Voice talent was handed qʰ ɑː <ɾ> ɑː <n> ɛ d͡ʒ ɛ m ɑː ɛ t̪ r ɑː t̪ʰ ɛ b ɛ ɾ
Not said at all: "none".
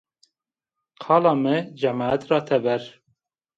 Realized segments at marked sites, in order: l, m

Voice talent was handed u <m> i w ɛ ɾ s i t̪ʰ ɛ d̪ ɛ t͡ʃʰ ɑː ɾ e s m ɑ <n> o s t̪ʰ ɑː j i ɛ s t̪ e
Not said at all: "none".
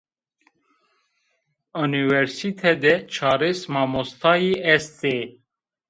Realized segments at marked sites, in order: n, m

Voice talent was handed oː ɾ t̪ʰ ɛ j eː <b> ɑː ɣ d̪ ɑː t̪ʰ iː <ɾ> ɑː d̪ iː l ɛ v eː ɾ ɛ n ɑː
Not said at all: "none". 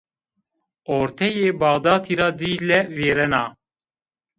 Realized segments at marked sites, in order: b, ɾ

